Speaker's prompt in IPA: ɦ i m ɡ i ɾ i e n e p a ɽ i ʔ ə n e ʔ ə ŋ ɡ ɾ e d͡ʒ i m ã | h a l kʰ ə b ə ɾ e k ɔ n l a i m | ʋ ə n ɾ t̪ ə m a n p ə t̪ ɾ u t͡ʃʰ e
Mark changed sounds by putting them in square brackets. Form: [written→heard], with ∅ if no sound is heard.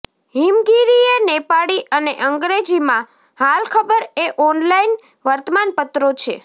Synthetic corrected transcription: ɦ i m ɡ i ɾ i e n e p a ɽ i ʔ ə n e ʔ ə ŋ ɡ ɾ e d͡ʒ i m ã | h a l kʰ ə b ə ɾ e [k→ʔ] ɔ n l a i [m→n] | ʋ ə [n→∅] ɾ t̪ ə m a n p ə t̪ ɾ [u→o] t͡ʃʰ e